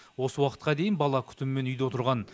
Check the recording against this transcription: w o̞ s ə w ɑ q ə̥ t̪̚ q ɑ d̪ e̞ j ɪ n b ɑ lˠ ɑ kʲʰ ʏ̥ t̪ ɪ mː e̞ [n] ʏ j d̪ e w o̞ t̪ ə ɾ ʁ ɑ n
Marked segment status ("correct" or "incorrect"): correct